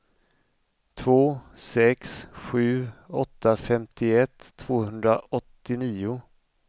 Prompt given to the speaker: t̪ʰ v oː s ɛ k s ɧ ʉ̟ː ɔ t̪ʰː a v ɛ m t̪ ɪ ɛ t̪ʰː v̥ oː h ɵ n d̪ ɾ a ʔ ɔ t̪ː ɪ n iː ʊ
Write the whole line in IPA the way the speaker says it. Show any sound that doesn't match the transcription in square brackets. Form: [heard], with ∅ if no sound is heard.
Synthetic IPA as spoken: t̪ʰ v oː s ɛ k s ɧ ʉ̟ː ɔ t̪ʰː a [f] ɛ m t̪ ɪ ɛ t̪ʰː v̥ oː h ɵ n d̪ ɾ a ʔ ɔ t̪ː ɪ n iː ʊ